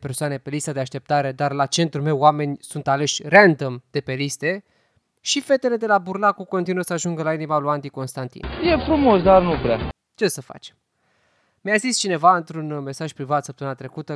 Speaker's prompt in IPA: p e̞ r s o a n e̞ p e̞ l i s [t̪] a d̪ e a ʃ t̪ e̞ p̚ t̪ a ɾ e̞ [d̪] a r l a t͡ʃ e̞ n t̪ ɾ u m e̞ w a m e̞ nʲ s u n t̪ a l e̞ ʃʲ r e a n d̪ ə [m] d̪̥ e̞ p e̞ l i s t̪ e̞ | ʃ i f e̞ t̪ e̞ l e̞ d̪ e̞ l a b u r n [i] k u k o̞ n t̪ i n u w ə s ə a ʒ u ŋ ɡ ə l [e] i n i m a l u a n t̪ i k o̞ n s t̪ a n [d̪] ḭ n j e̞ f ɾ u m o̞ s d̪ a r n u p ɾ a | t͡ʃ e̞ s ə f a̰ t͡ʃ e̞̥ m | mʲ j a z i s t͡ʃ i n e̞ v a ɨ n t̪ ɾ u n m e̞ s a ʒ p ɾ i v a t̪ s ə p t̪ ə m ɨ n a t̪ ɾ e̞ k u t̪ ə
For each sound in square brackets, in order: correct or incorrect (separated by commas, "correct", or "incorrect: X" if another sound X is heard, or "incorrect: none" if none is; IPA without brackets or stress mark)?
correct, correct, correct, incorrect: a, incorrect: a, incorrect: t̪